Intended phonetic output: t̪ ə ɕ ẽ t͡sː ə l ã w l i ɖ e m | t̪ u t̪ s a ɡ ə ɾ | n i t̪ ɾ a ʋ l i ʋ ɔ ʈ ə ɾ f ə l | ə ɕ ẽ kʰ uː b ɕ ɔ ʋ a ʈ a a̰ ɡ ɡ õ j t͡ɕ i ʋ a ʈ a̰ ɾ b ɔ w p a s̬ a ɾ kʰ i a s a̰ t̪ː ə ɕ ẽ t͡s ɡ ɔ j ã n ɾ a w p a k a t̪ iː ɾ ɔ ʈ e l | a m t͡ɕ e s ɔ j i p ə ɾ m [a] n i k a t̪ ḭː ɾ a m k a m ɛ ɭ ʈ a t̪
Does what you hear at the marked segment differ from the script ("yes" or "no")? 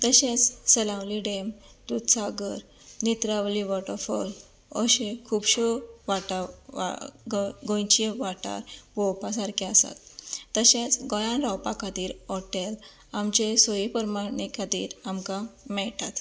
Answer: no